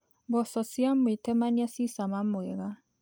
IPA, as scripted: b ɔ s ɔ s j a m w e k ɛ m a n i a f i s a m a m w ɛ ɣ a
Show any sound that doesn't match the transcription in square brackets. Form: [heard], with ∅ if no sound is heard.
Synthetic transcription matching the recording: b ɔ s ɔ s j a m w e [t] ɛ m a n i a [s] i s a m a m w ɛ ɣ a